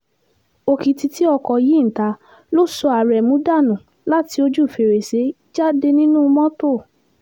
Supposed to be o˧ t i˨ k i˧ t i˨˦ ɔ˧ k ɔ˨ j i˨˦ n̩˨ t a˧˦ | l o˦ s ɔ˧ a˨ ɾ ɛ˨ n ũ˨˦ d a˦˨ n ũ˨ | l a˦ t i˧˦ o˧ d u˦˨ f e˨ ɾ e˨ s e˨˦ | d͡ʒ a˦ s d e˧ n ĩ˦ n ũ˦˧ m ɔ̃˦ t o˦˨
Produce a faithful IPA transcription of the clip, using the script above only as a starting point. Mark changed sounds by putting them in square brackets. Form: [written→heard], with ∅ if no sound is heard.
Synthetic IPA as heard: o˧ [t→k] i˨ [k→t] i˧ t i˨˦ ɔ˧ k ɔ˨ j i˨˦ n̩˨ t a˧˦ | l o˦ s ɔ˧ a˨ ɾ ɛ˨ [n→m] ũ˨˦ d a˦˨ n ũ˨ | l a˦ t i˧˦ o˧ [d→d͡ʒ] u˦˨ f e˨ ɾ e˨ s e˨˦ | d͡ʒ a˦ [s→∅] d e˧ n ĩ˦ n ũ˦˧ m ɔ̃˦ t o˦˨